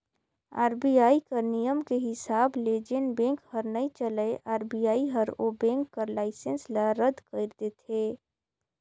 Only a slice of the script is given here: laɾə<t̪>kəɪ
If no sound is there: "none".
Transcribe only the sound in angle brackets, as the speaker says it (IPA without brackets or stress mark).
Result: d̪